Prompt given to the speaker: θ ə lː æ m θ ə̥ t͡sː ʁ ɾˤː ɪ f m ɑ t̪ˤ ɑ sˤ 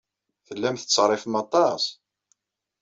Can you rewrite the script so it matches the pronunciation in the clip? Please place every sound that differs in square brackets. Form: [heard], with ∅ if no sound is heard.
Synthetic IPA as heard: θ ə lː æ m θ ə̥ t͡sː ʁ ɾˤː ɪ f m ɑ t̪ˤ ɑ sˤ